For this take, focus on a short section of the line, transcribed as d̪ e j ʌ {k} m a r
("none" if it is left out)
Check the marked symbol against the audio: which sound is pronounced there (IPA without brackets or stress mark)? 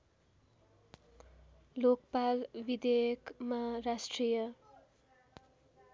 k